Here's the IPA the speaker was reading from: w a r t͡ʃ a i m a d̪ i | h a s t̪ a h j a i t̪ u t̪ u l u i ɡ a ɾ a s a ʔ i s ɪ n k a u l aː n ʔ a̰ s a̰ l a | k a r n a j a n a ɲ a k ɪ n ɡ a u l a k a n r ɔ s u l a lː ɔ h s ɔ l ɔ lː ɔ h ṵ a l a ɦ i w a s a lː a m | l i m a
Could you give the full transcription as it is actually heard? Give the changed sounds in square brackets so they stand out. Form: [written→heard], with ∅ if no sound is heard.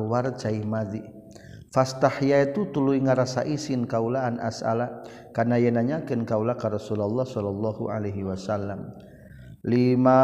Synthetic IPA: w a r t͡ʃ a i m a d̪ i | [h→f] a s t̪ a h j a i t̪ u t̪ u l u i [ɡ→ŋ] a ɾ a s a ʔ i s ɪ n k a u l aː n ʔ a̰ s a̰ l a | k a r n a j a n a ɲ a k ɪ n [ɡ→k] a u l a k a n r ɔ s u l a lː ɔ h s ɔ l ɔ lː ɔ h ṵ a l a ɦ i w a s a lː a m | l i m a